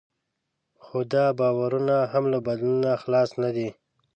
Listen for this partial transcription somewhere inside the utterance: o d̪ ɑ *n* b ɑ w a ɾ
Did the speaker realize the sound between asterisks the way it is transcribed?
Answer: no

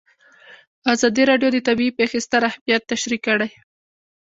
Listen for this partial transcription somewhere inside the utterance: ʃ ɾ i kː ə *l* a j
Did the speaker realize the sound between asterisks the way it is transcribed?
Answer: no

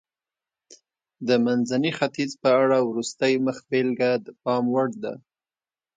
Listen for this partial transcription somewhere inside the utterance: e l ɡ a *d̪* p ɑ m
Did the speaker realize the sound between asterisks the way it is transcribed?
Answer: yes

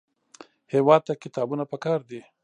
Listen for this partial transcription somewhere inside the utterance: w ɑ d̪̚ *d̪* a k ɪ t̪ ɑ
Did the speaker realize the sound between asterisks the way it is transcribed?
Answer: no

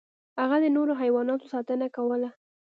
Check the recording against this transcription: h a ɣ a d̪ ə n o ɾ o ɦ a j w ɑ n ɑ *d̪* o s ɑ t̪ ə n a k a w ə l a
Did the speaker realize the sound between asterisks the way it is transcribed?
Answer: no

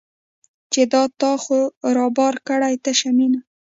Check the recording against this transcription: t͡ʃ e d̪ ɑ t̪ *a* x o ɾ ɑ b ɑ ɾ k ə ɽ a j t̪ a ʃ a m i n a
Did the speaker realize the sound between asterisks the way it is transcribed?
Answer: no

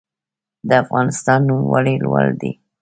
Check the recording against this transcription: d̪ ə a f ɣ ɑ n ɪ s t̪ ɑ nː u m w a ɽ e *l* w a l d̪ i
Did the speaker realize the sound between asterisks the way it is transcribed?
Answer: yes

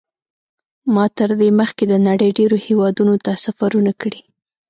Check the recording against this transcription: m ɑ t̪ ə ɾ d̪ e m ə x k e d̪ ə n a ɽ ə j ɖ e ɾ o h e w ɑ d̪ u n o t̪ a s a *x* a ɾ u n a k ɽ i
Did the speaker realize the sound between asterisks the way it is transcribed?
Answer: no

